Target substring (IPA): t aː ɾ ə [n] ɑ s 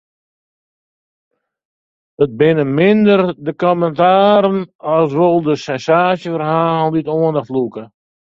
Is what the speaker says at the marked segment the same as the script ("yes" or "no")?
yes